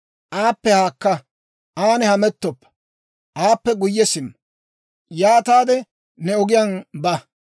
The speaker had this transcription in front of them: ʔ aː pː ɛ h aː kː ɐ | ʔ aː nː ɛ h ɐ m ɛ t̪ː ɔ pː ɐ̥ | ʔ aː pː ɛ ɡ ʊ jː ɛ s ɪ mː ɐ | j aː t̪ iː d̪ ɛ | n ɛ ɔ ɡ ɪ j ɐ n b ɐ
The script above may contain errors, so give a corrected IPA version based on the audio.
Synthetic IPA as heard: ʔ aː pː ɛ h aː kː ɐ | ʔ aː n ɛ h ɐ m ɛ t̪ː ɔ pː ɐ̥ | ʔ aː pː ɛ ɡ ʊ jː ɛ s ɪ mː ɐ | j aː t̪ aː d̪ ɛ | n ɛ ɔ ɡ ɪ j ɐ n b ɐ